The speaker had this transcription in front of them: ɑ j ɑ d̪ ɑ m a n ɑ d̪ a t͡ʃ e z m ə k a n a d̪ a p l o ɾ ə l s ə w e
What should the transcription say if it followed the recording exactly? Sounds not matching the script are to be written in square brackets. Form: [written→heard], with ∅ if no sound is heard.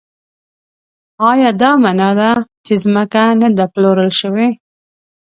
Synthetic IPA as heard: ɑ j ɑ d̪ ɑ m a n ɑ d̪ a t͡ʃ e z m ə k a n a d̪ a p l o ɾ ə l [s→ʃ] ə w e